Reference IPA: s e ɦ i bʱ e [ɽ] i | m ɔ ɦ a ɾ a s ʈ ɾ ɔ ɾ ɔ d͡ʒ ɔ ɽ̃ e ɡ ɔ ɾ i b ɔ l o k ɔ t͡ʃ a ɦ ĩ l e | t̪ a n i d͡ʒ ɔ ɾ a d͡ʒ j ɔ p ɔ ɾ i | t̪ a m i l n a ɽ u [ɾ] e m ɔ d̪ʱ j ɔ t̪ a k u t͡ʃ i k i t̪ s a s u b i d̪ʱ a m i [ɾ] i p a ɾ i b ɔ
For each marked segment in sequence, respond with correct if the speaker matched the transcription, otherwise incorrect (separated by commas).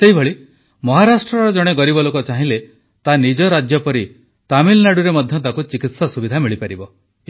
incorrect, correct, incorrect